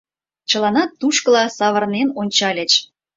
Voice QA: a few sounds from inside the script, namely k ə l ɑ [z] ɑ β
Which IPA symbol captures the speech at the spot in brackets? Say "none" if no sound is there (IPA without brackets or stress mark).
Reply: s